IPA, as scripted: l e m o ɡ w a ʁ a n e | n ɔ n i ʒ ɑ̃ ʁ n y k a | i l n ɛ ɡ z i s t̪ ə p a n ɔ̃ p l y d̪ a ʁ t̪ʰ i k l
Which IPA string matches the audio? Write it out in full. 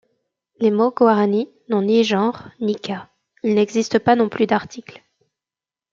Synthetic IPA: l e m o ɡ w a ʁ a n i | n ɔ̃ n i ʒ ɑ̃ ʁ n i k a | i l n ɛ ɡ z i s t̪ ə p a n ɔ̃ p l y d̪ a ʁ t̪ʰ i k l